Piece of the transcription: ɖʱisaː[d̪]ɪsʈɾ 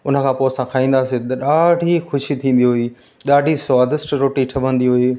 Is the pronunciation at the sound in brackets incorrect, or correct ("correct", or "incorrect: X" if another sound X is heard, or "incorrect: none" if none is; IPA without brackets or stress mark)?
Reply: correct